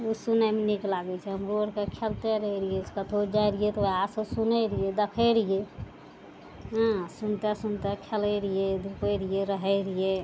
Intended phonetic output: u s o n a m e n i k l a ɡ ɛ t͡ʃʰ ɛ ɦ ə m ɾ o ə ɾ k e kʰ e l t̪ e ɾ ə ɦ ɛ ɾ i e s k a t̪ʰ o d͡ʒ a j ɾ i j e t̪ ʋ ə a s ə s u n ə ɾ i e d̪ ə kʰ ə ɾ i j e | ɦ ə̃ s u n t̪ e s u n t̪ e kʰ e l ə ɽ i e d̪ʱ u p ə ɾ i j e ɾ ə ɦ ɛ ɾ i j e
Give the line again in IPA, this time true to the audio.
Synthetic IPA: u s u n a m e n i k l a ɡ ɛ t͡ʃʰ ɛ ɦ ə m ɾ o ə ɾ k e kʰ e l t̪ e ɾ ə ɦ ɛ ɾ i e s k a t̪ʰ o d͡ʒ a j ɾ i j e t̪ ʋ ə a s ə s u n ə ɾ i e d̪ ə kʰ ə ɾ i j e | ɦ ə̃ s u n t̪ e s u n t̪ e kʰ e l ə ɾ i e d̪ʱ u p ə ɾ i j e ɾ ə ɦ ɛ ɾ i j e